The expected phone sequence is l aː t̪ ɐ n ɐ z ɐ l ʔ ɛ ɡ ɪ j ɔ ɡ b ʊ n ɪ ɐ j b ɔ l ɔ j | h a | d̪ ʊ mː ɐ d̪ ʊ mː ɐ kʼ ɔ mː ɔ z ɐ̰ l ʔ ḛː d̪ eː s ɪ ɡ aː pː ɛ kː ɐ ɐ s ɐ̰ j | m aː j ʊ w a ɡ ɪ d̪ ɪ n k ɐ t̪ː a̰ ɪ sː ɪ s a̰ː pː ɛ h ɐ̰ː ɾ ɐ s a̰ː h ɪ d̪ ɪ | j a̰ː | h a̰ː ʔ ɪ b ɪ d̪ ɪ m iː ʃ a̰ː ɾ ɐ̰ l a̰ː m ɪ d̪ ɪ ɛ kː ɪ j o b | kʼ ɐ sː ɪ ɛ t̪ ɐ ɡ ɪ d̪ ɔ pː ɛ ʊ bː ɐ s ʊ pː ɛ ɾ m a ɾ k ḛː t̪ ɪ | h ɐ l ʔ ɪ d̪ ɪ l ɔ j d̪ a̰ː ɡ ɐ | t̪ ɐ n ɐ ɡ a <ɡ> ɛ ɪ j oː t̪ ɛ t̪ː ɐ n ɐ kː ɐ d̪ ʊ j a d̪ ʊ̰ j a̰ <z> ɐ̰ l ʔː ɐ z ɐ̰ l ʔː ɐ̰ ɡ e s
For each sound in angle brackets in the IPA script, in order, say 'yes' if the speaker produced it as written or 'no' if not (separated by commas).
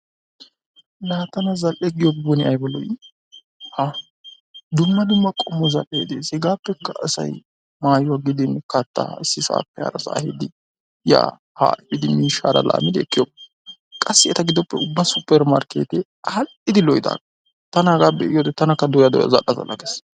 no, yes